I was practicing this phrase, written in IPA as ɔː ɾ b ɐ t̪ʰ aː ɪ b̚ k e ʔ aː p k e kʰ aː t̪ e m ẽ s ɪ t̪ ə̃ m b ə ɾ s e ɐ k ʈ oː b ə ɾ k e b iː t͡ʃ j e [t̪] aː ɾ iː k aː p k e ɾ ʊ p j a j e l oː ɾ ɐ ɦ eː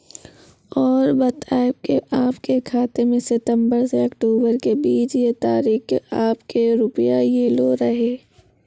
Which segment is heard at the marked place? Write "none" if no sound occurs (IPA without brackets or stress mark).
t̪